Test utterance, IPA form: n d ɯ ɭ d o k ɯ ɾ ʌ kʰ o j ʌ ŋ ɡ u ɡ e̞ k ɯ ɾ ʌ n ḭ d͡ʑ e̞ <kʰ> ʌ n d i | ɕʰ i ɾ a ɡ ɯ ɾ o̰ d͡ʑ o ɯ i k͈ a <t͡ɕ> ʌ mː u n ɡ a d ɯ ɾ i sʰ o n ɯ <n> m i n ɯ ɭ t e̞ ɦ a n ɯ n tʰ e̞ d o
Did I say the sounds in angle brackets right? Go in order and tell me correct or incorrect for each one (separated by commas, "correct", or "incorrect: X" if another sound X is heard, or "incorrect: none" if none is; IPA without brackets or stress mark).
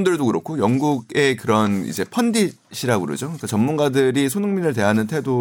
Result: incorrect: pʰ, correct, incorrect: ŋ